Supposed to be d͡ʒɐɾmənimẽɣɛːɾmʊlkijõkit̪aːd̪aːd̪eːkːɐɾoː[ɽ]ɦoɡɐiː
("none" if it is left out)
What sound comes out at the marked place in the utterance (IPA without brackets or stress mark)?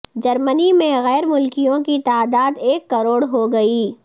ɽ